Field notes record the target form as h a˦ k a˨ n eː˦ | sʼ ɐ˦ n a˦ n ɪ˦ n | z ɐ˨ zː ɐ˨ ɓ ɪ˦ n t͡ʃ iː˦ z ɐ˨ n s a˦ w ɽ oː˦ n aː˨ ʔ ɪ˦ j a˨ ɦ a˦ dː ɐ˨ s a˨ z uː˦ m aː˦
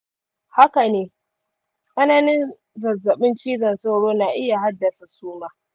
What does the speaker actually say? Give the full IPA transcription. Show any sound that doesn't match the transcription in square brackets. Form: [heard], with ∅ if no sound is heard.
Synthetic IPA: h a˦ k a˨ n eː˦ | sʼ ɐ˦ n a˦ n ɪ˦ n | z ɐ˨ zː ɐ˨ ɓ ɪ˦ n t͡ʃ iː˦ z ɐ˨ n s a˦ w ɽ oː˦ n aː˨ ʔ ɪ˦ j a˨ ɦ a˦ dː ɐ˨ s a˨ [s] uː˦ m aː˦